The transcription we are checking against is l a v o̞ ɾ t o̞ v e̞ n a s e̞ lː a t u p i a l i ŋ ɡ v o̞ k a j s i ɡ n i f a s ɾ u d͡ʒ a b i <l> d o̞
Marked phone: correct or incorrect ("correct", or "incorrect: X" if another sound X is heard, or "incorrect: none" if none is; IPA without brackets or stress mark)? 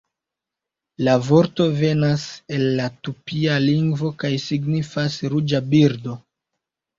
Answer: incorrect: ɾ